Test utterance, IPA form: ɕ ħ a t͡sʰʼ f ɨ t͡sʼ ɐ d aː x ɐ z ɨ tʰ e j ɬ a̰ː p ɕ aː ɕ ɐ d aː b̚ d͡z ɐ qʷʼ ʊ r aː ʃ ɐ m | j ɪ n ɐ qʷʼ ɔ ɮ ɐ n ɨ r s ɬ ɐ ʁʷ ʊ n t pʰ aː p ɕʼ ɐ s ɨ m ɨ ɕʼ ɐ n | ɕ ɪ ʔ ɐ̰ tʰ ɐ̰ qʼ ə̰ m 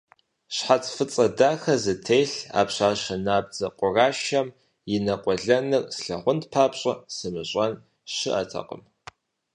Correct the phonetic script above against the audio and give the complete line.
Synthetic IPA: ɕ ħ a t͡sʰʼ f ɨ t͡sʼ ɐ d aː x ɐ z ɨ tʰ e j ɬ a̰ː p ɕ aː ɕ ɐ n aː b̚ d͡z ɐ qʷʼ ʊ r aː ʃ ɐ m | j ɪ n ɐ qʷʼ ɔ ɮ ɐ n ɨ r s ɬ ɐ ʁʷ ʊ n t pʰ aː p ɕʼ ɐ s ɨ m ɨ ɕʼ ɐ n | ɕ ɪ ʔ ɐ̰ tʰ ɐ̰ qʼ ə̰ m